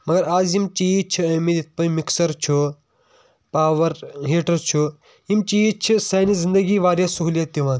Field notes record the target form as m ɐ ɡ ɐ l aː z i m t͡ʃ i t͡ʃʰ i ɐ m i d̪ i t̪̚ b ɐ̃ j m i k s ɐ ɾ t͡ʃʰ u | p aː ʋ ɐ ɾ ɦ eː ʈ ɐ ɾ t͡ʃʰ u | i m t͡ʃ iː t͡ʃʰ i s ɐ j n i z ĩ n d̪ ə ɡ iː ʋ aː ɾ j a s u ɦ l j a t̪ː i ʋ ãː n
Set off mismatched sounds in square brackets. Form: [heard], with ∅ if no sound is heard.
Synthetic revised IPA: m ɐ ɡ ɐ [ɾ] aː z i m t͡ʃ i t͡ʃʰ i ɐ m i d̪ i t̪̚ [p] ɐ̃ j m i k s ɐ ɾ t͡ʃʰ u | p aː ʋ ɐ ɾ ɦ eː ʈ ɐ ɾ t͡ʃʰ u | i m t͡ʃ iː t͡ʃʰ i s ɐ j n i z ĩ n d̪ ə ɡ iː ʋ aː ɾ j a s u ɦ l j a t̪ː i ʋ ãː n